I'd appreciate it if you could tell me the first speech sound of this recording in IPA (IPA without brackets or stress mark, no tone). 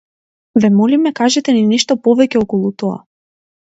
v